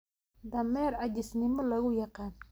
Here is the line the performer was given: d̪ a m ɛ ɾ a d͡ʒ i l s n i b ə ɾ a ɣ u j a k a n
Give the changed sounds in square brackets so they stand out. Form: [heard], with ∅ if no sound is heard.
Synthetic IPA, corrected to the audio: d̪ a m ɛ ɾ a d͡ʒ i [∅] s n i [m] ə [l] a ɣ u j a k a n